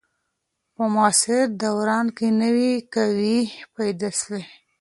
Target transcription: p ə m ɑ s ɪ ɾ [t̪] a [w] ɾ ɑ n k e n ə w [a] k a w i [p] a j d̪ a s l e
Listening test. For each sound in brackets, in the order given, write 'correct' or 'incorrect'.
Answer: incorrect: d̪, correct, incorrect: i, correct

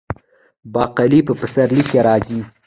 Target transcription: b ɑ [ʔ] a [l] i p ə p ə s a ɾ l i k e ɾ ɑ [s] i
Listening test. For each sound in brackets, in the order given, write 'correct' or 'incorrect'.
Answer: incorrect: q, correct, incorrect: z

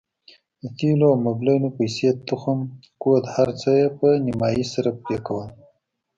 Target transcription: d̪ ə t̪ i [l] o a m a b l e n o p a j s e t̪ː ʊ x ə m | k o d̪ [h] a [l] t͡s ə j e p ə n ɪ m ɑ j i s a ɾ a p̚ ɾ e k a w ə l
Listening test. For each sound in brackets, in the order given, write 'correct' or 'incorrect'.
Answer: correct, correct, incorrect: ɾ

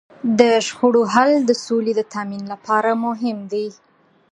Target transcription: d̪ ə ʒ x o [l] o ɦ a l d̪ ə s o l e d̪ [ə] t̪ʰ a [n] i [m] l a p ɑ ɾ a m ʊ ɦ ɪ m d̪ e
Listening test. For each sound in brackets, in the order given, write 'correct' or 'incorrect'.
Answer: incorrect: ɽ, correct, incorrect: m, incorrect: n

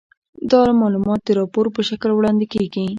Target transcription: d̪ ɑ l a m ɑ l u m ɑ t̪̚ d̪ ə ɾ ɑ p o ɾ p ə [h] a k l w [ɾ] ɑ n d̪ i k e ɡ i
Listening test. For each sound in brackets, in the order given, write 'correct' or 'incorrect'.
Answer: incorrect: ʃ, incorrect: ɽ

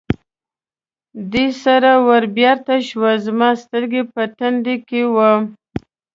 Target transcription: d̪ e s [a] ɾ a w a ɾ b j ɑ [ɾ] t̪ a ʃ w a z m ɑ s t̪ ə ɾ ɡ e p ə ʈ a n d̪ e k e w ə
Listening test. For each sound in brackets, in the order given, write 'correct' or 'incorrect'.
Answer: correct, correct

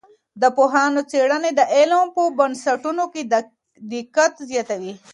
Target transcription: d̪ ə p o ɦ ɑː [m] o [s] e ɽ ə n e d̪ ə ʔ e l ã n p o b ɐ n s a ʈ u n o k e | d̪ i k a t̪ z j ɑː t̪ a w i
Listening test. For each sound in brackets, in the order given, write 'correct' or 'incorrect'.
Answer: incorrect: n, incorrect: t͡s

